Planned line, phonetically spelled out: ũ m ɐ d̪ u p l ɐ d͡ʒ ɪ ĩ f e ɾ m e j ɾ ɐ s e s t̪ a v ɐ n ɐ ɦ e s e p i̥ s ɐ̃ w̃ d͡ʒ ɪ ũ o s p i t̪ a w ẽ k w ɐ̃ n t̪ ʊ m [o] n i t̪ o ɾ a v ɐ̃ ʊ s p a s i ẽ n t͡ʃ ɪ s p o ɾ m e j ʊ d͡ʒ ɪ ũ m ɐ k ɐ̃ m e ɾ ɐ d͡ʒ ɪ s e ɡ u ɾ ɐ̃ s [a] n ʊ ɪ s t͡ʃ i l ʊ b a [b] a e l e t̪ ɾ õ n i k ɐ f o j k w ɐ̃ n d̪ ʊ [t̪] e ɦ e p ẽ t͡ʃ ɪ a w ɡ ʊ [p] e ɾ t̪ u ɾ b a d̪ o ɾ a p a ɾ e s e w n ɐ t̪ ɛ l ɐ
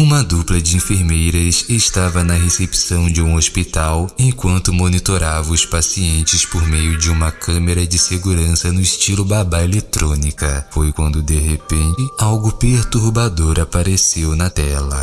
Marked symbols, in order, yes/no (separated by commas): yes, no, yes, no, yes